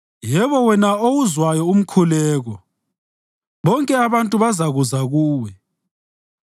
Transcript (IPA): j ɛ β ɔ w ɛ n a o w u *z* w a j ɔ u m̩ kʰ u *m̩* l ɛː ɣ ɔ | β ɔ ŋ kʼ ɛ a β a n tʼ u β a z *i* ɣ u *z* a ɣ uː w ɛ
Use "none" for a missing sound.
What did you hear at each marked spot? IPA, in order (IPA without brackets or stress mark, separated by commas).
z, none, a, z